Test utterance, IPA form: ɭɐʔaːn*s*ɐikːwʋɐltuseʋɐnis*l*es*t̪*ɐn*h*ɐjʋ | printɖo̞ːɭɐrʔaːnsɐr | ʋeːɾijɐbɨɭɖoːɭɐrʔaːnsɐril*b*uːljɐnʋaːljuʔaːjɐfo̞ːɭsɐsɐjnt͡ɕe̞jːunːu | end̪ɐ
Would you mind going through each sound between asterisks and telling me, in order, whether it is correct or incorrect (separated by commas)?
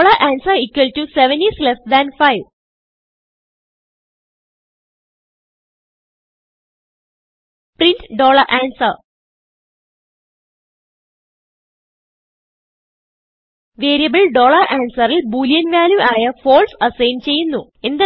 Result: correct, correct, incorrect, incorrect, correct